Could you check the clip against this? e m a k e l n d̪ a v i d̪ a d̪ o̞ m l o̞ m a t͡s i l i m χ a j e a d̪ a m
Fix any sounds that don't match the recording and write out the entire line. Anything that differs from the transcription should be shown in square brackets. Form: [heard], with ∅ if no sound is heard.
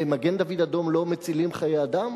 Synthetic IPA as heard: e m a [ɡ] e [∅] n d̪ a v i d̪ a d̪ o̞ m l o̞ m [e] t͡s i l i m χ a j e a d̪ a m

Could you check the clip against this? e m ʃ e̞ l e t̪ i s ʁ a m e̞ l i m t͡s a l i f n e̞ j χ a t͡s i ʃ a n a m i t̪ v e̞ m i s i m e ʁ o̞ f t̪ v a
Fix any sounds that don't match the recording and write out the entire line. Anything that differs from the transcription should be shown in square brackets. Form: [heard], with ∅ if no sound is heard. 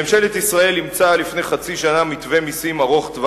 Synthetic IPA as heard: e m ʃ e̞ l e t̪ i s ʁ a [∅] e̞ l i m t͡s a l i f n e̞ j χ a t͡s i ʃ a n a m i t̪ v e̞ m i s i m [a] ʁ o̞ [χ] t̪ v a

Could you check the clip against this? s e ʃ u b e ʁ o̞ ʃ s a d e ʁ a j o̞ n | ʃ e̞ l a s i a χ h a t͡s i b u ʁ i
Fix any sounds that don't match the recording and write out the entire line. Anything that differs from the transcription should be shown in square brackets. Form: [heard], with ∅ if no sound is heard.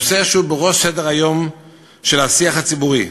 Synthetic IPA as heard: s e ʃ u b e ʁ o̞ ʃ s [e] d e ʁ a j o̞ [m] | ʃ e̞ l a s i a χ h a t͡s i b u ʁ i

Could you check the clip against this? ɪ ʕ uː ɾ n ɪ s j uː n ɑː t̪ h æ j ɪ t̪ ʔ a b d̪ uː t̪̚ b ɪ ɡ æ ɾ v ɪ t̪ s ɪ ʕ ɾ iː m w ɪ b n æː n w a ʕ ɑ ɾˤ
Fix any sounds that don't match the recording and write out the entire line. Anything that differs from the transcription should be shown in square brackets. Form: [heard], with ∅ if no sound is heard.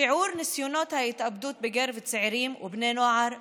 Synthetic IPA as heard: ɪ ʕ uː ɾ n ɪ s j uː n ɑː t̪ h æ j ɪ t̪ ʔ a b d̪ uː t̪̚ b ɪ ɡ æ ɾ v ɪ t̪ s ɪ ʕ ɾ iː m w ɪ b n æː n w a ʕ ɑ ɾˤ

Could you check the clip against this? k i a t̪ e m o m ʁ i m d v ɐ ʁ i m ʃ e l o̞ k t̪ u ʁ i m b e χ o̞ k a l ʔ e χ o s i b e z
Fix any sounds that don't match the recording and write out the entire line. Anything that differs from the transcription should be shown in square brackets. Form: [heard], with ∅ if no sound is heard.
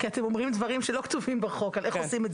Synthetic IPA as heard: k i a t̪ e m o m ʁ i m d v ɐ ʁ i m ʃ e l o̞ k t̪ u [v] i m b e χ o̞ k a l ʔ e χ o s i [m] e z

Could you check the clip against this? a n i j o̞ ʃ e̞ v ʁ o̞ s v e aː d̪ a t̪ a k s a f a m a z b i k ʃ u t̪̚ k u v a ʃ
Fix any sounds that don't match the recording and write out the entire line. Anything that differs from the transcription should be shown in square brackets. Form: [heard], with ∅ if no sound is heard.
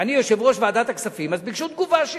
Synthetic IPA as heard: a n i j o̞ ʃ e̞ v ʁ o̞ [ʃ] v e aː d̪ a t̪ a k s a f [i] m a z b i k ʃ u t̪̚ [ɡ] u v a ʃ

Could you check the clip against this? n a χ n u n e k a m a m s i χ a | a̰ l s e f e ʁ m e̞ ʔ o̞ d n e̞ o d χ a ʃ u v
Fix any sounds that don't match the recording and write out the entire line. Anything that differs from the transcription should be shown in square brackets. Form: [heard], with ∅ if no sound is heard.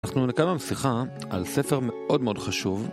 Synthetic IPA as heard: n a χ n u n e k a m a m s i χ a | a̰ l s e f e ʁ m e̞ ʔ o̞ d [m] e̞ o d χ a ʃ u v

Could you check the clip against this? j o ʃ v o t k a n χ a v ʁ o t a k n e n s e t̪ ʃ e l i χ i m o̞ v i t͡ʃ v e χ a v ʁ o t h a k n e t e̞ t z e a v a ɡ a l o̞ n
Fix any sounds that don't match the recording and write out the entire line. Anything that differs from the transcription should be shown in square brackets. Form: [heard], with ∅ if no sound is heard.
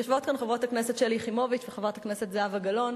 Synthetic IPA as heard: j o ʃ v o t k a n χ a v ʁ o t a k n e [∅] s e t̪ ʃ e l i χ i m o̞ v i t͡ʃ v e χ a v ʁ o t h a k n e [s] e̞ t z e a v a ɡ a l o̞ n

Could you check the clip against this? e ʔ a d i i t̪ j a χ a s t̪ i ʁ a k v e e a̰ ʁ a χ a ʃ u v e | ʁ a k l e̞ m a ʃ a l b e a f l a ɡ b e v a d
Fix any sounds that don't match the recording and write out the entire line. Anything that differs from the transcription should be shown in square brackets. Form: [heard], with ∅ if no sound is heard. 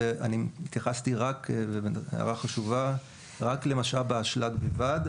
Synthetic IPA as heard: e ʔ a [n] i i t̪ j a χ a s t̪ i ʁ a k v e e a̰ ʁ a χ a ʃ u v [a] | ʁ a k l e̞ m a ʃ a l b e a [ʃ] l a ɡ b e v a d

